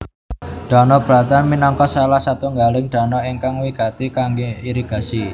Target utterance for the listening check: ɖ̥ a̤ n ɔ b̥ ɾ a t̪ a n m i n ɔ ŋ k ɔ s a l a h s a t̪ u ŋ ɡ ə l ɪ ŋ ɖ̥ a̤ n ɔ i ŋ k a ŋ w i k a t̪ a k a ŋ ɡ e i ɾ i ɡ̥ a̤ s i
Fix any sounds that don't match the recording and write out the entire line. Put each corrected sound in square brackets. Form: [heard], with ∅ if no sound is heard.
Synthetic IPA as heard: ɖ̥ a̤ n ɔ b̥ ɾ a t̪ a n m i n ɔ ŋ k ɔ s a l a h s a t̪ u ŋ ɡ [a] l ɪ ŋ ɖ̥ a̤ n ɔ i ŋ k a ŋ w i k a t̪ [i] k a ŋ ɡ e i ɾ i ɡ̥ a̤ s i